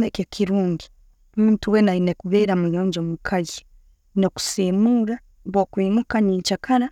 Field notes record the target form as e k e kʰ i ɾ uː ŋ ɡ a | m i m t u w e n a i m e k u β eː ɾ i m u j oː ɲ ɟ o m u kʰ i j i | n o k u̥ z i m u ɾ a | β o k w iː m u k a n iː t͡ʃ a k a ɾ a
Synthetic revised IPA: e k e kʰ i ɾ uː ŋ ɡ i | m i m t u w e n a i n e k u β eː ɾ a m u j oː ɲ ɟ o m u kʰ a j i | n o k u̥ s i m u ɾ a | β o k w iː m u k a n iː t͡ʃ a k a ɾ a